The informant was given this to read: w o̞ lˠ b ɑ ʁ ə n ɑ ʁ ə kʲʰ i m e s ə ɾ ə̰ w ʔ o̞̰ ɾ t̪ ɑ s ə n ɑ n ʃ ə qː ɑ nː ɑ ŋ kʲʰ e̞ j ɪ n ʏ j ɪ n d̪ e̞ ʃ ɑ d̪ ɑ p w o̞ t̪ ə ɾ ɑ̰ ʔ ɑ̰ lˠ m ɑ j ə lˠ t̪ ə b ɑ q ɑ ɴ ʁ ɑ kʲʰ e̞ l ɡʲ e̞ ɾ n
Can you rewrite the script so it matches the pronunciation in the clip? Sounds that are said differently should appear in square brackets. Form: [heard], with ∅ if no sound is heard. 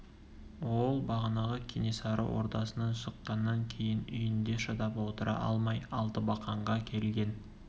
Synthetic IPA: w o̞ lˠ b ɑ ʁ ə n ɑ ʁ ə kʲʰ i [n] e s [ɑ] ɾ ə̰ w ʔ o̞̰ ɾ t̪ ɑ s ə n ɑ n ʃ ə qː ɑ nː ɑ ŋ kʲʰ e̞ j ɪ n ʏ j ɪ n d̪ e̞ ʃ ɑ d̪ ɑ p w o̞ t̪ ə ɾ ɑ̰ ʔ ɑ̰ lˠ m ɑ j [ɑ] lˠ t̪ ə b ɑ q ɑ ɴ ʁ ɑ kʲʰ e̞ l ɡʲ e̞ [∅] n

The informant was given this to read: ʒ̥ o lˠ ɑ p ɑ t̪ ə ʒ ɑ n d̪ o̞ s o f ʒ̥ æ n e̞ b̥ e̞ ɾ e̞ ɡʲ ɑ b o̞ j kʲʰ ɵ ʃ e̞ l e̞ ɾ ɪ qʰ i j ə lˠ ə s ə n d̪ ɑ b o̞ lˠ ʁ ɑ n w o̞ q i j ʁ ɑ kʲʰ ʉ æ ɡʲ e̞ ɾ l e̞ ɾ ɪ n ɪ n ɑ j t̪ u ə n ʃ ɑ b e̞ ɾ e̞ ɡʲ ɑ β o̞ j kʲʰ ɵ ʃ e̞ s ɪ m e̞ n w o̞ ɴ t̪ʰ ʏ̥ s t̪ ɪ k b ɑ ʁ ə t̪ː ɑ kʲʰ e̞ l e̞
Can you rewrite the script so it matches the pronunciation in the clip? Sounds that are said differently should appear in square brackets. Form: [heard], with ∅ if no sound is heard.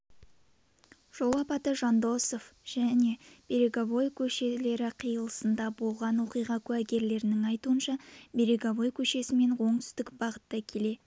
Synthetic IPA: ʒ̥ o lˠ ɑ p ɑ t̪ ə ʒ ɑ n d̪ o̞ s o f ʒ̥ æ n e̞ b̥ e̞ ɾ e̞ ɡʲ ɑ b o̞ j kʲʰ ɵ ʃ e̞ l e̞ ɾ ɪ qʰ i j ə lˠ ə s ə n d̪ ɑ b o̞ lˠ ʁ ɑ n w o̞ q i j ʁ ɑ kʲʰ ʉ æ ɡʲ e̞ ɾ l e̞ ɾ ɪ n ɪ [ŋ] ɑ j t̪ u ə n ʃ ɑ b e̞ ɾ e̞ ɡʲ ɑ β o̞ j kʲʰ ɵ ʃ e̞ s ɪ m e̞ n w o̞ ɴ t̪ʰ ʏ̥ s t̪ ɪ k b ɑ ʁ ə t̪ː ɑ kʲʰ e̞ l e̞

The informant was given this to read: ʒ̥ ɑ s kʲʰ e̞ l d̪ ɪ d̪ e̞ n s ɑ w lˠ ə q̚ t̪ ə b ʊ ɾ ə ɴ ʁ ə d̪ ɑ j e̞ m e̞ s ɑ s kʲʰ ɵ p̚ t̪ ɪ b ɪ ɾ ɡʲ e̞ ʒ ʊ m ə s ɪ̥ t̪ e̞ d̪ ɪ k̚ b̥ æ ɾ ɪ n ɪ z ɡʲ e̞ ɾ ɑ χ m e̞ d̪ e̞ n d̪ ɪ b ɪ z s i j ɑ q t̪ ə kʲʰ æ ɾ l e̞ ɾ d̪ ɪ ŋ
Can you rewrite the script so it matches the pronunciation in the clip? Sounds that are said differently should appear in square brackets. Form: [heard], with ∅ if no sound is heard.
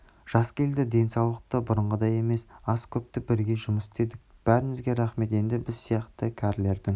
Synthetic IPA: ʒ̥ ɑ s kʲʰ e̞ l d̪ ɪ d̪ e̞ n s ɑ w lˠ ə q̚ t̪ ə b ʊ ɾ ə ɴ ʁ ə d̪ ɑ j e̞ m e̞ s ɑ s kʲʰ ɵ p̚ t̪ ɪ b ɪ ɾ ɡʲ e̞ ʒ ʊ m ə s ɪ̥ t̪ e̞ d̪ ɪ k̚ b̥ æ ɾ ɪ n ɪ z ɡʲ e̞ ɾ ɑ χ m e̞ [t̪] e̞ n d̪ ɪ b ɪ z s i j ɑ q t̪ ə kʲʰ æ ɾ l e̞ ɾ d̪ ɪ ŋ

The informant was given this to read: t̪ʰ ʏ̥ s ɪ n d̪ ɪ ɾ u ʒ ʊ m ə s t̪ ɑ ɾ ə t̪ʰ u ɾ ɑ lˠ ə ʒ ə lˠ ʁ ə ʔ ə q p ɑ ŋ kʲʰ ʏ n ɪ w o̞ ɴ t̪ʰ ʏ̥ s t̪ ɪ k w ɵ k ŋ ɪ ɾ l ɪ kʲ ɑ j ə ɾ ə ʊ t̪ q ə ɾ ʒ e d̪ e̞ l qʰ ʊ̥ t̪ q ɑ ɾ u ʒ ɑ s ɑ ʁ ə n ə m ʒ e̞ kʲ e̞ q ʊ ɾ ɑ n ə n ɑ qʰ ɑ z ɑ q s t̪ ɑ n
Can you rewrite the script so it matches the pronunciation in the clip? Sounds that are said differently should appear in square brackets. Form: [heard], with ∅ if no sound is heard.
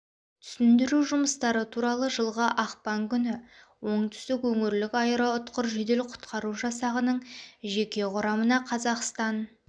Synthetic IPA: t̪ʰ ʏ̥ s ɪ n d̪ ɪ ɾ u ʒ ʊ m ə s t̪ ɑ ɾ ə t̪ʰ u ɾ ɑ lˠ ə ʒ ə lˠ ʁ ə ʔ [ɑ] q p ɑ ŋ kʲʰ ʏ n ɪ w o̞ ɴ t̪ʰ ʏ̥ s t̪ ɪ k w ɵ [∅] ŋ ɪ ɾ l ɪ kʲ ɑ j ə ɾ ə ʊ t̪ q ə ɾ ʒ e d̪ e̞ l qʰ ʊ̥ t̪ q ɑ ɾ u ʒ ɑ s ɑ ʁ ə n ə [ɴ] ʒ e̞ kʲ e̞ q ʊ ɾ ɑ [m] ə n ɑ qʰ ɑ z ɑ q s t̪ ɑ n

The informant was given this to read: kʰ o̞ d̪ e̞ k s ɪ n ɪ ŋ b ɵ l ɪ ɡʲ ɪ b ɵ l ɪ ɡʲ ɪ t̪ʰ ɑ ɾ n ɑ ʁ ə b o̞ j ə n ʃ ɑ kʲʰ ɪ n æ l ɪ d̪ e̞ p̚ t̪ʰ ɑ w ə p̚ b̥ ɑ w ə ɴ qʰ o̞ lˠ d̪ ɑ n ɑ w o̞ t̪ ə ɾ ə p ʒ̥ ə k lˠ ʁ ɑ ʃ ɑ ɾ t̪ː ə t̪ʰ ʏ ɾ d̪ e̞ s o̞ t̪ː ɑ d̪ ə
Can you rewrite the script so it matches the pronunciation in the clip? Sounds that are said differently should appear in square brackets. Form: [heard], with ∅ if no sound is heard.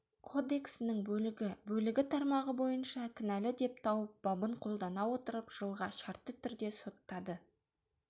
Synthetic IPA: kʰ o̞ d̪ e̞ k s ɪ n ɪ ŋ b ɵ l ɪ ɡʲ ɪ b ɵ l ɪ ɡʲ ɪ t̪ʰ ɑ ɾ [m] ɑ ʁ ə b o̞ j ə n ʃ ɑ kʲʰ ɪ n æ l ɪ d̪ e̞ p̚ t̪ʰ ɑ w ə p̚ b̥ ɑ [b] ə ɴ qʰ o̞ lˠ d̪ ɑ n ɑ w o̞ t̪ ə ɾ ə p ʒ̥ ə [∅] lˠ ʁ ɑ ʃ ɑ ɾ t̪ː ə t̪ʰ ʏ ɾ d̪ e̞ s o̞ t̪ː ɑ d̪ ə

